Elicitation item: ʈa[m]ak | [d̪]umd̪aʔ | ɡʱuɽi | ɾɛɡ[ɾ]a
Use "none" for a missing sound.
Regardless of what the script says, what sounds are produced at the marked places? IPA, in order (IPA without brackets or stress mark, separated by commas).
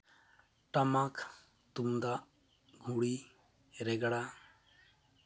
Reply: m, t̪, ɽ